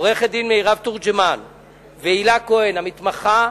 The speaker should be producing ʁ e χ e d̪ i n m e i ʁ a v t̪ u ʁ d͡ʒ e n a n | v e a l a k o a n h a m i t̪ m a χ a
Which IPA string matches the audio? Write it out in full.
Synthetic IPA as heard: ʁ e χ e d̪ i n m e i ʁ a v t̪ u ʁ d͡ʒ e m a n | v e i l a k o e n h a m i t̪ m a χ a